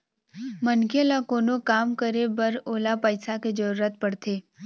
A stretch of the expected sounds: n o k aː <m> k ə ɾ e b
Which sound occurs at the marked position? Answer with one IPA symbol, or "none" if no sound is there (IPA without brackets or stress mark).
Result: m